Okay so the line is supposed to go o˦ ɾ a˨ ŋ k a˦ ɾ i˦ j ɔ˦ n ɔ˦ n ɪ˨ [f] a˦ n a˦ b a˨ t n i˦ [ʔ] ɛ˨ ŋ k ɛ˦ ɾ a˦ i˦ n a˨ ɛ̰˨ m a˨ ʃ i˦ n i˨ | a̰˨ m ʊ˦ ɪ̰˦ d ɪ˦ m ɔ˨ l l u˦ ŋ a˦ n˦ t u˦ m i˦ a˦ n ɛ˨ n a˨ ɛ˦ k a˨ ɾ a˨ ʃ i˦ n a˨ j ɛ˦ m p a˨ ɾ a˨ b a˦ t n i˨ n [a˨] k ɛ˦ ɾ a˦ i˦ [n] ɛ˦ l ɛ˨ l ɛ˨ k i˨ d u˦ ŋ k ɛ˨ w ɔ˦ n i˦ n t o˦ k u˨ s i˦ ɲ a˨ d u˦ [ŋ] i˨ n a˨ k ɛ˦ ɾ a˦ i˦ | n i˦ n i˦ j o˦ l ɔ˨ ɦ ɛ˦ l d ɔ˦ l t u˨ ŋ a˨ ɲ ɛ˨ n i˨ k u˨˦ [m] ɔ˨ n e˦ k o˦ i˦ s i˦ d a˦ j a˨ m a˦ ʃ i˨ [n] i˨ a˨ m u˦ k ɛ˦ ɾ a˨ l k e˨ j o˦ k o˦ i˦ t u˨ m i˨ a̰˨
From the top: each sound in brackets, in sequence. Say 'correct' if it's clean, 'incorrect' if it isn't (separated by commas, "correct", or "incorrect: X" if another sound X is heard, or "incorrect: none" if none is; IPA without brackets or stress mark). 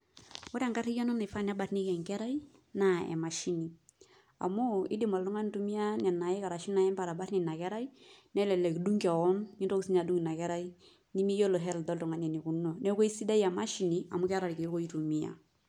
correct, incorrect: k, correct, correct, correct, incorrect: n, correct